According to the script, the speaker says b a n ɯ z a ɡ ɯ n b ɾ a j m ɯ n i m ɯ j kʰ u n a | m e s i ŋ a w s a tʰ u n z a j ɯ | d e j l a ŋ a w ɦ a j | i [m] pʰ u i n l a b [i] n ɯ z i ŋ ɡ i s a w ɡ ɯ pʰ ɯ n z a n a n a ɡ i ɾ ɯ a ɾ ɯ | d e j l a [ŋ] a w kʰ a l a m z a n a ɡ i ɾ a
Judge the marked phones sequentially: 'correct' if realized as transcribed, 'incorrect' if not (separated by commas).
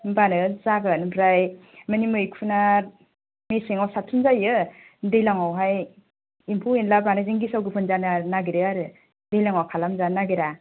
correct, incorrect, correct